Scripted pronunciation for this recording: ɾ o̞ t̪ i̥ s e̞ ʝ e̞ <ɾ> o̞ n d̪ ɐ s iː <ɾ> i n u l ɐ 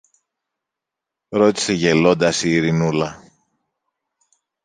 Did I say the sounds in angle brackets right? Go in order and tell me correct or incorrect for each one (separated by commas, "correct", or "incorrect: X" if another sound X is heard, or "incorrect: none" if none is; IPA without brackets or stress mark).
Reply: incorrect: l, correct